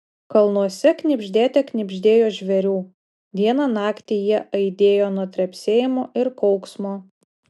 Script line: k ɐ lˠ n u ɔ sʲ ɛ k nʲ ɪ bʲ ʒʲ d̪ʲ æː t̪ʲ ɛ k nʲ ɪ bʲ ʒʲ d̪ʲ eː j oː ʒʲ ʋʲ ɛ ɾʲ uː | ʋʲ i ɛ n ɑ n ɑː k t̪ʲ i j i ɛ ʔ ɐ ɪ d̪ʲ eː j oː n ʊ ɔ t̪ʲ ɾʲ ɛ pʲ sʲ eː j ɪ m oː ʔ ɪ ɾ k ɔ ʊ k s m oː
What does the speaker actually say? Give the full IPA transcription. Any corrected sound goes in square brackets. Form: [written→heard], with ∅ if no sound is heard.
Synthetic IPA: k ɐ lˠ n u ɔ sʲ ɛ k nʲ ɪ bʲ ʒʲ d̪ʲ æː t̪ʲ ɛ k nʲ ɪ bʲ ʒʲ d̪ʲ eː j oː ʒʲ ʋʲ ɛ ɾʲ uː | ʋʲ i ɛ n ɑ n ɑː k t̪ʲ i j i ɛ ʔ ɐ ɪ d̪ʲ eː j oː n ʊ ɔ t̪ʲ ɾʲ ɛ pʲ sʲ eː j ɪ m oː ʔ ɪ ɾ k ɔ ʊ k s m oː